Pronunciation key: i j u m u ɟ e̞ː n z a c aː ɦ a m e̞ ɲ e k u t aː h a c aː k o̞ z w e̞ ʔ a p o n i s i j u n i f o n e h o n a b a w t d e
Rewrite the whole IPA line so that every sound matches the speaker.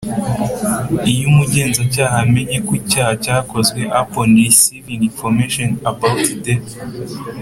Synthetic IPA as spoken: i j u m u ɟ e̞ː n z a c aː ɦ a m e̞ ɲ e k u c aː h a c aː k o̞ z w e̞ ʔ a p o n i s i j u n i f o m e ʃ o n a b a w t d e